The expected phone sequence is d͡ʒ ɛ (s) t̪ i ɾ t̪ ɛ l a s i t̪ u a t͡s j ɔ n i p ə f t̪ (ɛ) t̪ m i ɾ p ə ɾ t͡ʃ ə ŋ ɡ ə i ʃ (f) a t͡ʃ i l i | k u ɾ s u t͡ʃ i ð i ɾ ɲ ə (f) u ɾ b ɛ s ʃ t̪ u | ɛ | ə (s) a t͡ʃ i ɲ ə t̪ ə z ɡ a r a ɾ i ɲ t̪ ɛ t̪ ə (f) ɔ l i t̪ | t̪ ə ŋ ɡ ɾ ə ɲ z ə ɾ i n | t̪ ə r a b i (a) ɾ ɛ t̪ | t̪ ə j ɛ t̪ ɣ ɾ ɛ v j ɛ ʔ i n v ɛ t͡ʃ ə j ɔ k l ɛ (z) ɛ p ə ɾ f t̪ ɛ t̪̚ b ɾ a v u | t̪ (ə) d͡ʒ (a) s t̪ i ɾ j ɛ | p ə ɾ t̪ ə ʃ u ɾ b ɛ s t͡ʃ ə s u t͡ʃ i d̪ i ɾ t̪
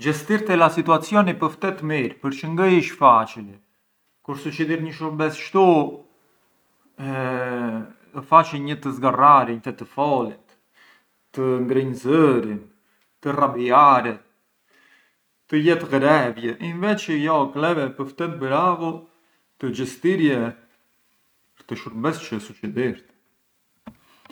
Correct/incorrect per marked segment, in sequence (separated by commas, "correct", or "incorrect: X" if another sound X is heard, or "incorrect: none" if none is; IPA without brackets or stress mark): correct, correct, correct, incorrect: ʃ, incorrect: f, correct, correct, incorrect: v, correct, incorrect: ə